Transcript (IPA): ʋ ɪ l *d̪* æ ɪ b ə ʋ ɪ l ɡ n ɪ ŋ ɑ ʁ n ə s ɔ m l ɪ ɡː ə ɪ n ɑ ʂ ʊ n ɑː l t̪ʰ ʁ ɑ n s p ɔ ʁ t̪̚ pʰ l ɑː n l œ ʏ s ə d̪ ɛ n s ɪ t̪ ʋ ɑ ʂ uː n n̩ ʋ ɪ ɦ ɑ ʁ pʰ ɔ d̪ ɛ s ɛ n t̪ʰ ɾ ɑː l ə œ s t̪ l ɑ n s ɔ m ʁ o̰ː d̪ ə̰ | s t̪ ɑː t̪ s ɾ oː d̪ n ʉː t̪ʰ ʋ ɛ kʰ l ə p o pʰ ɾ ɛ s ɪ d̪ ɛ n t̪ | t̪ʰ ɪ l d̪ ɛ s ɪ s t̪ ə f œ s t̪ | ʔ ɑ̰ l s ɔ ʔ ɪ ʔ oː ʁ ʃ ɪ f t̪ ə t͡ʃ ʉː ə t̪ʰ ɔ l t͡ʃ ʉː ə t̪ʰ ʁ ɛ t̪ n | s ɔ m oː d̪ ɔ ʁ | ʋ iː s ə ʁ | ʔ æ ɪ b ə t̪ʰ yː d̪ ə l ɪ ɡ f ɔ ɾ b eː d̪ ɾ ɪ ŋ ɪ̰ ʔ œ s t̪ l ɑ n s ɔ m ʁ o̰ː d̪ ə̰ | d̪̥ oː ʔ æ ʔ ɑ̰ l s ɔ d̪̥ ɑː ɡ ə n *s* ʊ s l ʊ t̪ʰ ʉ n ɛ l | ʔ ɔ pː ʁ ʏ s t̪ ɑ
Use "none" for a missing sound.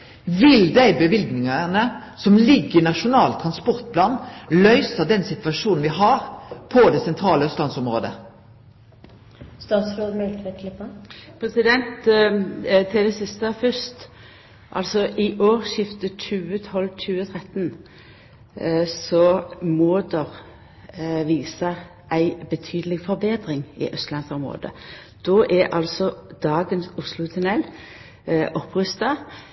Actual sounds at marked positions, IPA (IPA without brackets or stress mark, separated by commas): d̪, s